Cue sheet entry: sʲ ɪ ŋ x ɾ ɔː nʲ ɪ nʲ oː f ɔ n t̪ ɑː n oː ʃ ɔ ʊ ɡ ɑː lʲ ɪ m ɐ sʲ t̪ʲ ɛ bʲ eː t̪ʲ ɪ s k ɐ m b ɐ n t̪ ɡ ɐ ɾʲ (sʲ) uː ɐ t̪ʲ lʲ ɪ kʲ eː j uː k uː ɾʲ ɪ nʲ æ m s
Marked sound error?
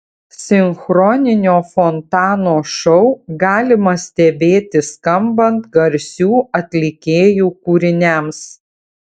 no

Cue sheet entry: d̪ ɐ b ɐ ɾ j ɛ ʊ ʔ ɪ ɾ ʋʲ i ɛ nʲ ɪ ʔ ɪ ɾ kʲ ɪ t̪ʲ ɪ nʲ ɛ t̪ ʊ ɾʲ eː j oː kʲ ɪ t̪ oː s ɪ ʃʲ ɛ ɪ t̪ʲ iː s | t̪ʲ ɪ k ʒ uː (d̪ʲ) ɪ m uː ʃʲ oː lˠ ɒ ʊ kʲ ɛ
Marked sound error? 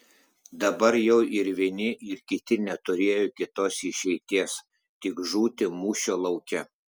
yes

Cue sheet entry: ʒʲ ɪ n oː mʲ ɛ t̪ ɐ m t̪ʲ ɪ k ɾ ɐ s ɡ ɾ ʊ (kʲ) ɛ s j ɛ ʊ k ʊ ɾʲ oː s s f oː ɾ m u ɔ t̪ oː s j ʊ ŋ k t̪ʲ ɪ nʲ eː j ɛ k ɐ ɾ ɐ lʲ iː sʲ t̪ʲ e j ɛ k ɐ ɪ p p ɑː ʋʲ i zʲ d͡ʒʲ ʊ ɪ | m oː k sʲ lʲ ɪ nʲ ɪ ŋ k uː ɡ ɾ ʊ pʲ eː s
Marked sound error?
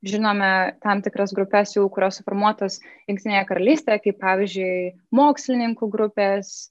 yes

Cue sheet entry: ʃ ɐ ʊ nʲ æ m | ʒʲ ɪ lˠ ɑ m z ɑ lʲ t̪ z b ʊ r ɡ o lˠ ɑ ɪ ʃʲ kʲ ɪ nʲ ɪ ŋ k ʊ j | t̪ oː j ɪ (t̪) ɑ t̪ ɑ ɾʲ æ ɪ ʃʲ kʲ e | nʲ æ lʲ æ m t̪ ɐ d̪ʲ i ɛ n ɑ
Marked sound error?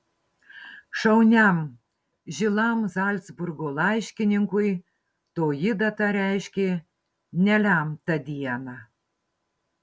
yes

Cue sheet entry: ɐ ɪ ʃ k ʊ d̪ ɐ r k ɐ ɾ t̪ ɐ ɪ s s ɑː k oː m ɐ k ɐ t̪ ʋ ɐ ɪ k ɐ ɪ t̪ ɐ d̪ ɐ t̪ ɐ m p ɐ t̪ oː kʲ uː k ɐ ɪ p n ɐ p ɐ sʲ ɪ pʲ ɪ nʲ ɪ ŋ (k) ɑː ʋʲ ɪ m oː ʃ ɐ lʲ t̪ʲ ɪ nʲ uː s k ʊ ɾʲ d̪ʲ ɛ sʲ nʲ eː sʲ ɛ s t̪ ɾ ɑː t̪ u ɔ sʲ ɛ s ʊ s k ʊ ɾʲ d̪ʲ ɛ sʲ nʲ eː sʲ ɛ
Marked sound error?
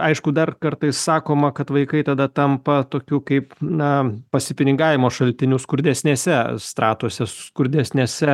yes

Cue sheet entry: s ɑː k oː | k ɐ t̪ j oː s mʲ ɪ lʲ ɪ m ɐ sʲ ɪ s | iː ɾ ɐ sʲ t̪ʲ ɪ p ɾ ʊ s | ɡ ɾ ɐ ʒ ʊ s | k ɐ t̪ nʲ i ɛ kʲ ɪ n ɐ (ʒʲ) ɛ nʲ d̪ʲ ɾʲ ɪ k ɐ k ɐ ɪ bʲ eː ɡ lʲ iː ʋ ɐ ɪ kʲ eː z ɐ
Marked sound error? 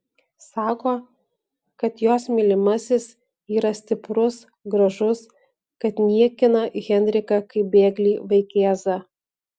yes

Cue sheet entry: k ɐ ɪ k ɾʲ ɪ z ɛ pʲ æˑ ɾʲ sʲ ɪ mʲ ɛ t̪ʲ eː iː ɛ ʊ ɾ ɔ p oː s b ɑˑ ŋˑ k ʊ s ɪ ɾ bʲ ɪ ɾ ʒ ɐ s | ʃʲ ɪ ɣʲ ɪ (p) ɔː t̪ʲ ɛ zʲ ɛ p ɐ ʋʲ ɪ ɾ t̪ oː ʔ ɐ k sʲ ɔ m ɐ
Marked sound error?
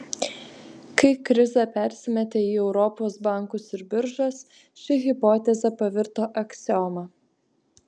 no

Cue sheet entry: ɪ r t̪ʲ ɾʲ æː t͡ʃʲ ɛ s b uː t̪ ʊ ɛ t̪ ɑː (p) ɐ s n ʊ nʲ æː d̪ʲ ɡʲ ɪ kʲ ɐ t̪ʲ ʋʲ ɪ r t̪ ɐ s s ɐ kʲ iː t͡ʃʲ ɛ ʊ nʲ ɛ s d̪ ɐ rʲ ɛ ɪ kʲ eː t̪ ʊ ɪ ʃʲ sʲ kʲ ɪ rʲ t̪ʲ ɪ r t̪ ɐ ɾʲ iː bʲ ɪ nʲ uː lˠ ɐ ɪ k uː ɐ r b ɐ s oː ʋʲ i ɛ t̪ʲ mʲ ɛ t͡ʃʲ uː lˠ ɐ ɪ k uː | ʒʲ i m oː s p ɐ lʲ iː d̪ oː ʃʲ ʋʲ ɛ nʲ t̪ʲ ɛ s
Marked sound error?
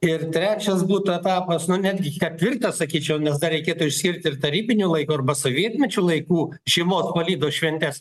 no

